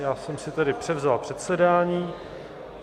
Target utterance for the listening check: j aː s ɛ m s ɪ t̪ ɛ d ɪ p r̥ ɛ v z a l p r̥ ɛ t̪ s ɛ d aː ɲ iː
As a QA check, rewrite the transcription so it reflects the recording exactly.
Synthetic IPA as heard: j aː s ɛ m s ɪ t̪ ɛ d ɪ p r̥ ɛ v z a l p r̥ ɛ t̪ s ɛ d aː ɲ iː

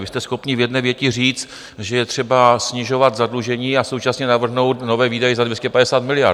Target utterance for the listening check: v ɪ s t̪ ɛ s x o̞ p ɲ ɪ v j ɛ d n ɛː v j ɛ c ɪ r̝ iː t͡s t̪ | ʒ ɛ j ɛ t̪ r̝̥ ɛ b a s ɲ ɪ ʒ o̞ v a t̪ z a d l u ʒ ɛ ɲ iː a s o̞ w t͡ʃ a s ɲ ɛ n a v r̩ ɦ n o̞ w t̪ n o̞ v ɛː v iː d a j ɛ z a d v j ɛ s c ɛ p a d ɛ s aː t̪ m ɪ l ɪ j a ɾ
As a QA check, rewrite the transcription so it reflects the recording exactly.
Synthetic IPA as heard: v ɪ s t̪ ɛ s x o̞ p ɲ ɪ v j ɛ d n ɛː v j ɛ c ɪ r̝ iː t͡s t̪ | ʒ ɛ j ɛ t̪ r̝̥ ɛ b a s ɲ ɪ ʒ o̞ v a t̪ z a d l u ʒ ɛ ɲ iː a s o̞ w t͡ʃ a s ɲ ɛ n a v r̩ ɦ n o̞ w t̪ n o̞ v ɛː v iː d a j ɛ z a d v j ɛ s c ɛ p a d ɛ s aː t̪ m ɪ l ɪ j a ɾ

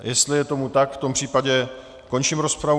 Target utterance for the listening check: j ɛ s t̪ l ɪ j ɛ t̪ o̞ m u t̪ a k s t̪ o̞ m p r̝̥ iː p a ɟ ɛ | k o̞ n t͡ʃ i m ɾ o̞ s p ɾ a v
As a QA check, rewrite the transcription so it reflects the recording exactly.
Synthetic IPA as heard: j ɛ s t̪ l ɪ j ɛ t̪ o̞ m u t̪ a k f t̪ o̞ m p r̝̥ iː p a ɟ ɛ | k o̞ n t͡ʃ i m ɾ o̞ s p ɾ a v

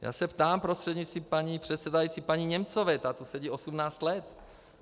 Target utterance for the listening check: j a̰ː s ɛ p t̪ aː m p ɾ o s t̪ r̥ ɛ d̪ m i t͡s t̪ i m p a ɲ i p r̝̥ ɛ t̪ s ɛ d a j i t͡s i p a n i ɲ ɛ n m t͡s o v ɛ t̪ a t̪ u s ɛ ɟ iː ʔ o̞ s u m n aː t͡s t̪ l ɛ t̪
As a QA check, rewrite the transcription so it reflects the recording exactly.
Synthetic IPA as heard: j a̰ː s ɛ p t̪ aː m p ɾ o s t̪ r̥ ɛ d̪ ɲ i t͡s t̪ i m p a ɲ i p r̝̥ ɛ t̪ s ɛ d a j i t͡s i p a ɲ i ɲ ɛ m t͡s o v ɛ t̪ a t̪ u s ɛ ɟ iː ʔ o̞ s u m n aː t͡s t̪ l ɛ t̪

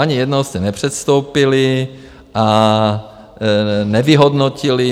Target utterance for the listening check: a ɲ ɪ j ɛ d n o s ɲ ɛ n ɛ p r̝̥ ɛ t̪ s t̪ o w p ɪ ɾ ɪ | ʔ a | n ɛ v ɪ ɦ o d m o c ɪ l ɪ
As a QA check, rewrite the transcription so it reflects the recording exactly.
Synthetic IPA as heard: a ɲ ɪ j ɛ d n o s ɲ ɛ n ɛ p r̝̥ ɛ t̪ s t̪ o w p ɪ l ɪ | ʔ a | n ɛ v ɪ ɦ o d n o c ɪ l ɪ

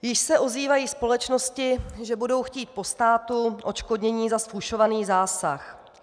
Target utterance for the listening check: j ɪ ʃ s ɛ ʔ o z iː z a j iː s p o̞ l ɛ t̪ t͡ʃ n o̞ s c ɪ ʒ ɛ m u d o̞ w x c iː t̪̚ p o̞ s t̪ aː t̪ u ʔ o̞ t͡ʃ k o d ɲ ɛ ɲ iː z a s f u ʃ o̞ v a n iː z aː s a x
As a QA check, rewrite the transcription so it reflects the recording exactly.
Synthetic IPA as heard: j ɪ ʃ s ɛ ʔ o z iː v a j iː s p o̞ l ɛ t͡ʃ n o̞ s c ɪ ʒ ɛ b u d o̞ w x c iː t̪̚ p o̞ s t̪ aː t̪ u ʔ o̞ t͡ʃ k o d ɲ ɛ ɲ iː z a s f u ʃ o̞ v a n iː z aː s a x

